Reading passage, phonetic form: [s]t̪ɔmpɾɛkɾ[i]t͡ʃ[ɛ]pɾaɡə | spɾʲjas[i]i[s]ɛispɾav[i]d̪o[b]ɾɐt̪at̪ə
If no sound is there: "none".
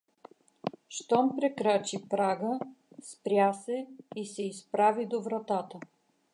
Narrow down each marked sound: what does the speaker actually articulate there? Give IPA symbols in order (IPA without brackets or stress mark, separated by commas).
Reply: ʃ, a, i, ɛ, s, i, v